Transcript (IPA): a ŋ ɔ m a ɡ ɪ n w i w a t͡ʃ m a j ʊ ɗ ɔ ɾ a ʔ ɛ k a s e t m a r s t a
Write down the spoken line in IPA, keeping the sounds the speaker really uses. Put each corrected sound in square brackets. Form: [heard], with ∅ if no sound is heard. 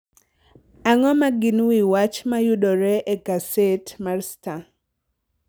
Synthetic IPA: a ŋ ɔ m a ɡ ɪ n w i w a t͡ʃ m a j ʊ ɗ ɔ ɾ [ɛ] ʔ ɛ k a s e t m a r s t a